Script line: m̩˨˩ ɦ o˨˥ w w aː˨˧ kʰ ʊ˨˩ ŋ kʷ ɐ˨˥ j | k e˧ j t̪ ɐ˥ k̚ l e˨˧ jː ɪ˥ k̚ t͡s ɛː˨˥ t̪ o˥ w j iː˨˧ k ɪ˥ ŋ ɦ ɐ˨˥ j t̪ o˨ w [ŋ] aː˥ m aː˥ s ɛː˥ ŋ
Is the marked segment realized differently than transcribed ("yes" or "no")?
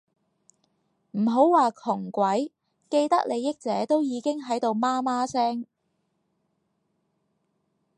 yes